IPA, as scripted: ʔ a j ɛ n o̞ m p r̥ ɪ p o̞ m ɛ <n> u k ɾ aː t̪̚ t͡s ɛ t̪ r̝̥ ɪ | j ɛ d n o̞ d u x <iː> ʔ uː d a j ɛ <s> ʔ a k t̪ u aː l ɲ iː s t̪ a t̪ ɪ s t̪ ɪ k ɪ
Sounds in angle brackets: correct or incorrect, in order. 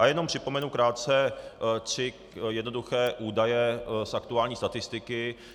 correct, incorrect, correct

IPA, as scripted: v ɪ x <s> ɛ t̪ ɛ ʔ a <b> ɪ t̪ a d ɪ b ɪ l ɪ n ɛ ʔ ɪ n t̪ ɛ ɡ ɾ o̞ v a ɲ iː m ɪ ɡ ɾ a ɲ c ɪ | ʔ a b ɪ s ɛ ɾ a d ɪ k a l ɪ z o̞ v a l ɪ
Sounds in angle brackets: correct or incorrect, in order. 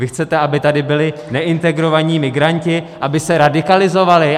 incorrect, correct

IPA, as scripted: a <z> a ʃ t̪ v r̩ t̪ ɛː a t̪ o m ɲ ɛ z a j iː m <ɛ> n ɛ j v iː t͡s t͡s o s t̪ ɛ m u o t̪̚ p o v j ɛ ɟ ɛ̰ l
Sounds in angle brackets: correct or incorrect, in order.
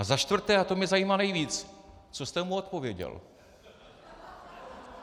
correct, incorrect

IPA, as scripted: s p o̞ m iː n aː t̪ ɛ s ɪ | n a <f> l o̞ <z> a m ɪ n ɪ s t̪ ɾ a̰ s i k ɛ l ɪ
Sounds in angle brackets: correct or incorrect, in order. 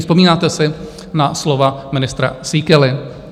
incorrect, incorrect

